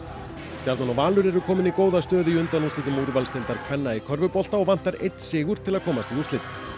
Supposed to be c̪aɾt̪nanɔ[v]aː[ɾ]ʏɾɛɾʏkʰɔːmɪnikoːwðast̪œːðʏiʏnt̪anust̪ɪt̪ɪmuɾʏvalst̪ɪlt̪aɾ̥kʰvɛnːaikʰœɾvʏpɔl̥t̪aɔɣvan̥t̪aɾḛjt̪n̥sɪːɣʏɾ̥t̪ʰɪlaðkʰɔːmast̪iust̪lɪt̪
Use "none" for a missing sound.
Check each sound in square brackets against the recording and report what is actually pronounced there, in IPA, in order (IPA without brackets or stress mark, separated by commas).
v, l